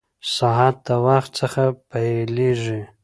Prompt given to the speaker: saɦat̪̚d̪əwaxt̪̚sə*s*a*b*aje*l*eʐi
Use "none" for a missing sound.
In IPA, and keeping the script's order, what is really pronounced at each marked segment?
x, p, l

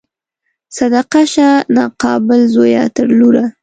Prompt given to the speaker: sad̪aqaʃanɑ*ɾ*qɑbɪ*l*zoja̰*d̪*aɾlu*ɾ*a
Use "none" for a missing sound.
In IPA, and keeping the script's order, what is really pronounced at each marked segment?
none, l, t̪, ɾ

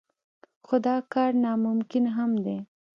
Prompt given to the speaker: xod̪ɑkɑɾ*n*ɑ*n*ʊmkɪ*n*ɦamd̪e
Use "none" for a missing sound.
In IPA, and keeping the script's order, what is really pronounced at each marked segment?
n, m, n

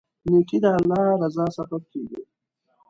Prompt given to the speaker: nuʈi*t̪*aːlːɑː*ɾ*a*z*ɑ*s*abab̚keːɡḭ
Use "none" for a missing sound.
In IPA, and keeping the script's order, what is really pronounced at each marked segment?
d̪, ɾ, z, s

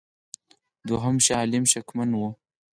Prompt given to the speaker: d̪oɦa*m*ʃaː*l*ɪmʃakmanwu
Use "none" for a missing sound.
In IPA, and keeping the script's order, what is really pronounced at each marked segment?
m, l

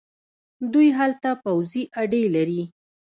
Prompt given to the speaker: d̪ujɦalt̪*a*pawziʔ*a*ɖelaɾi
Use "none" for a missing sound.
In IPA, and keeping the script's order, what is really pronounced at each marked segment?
a, a

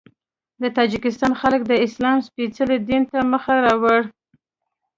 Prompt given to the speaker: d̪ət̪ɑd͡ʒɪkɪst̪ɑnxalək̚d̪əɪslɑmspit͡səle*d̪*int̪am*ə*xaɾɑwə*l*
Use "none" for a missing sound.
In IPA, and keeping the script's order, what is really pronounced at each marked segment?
d̪, ə, ɽ

